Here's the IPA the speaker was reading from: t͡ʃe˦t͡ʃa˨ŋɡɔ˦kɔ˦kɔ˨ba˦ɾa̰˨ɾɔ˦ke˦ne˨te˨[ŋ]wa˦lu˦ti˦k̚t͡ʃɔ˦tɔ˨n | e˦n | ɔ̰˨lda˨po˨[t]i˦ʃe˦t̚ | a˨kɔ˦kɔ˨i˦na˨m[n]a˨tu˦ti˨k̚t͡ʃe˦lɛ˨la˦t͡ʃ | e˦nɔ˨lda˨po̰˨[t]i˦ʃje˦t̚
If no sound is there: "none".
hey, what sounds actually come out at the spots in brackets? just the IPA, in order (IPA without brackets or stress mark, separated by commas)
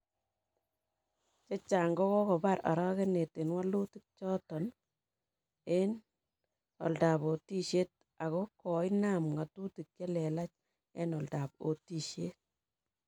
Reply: n, t, ŋ, t